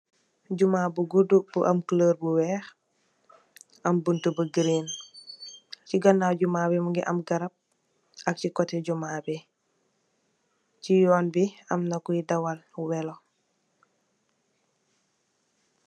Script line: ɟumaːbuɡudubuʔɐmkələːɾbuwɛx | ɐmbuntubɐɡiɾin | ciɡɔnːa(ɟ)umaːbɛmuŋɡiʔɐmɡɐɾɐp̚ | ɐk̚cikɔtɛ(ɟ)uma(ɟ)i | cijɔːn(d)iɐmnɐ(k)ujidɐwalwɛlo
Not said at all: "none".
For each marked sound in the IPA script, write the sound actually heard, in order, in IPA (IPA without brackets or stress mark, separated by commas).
ɟ, ɟ, b, b, k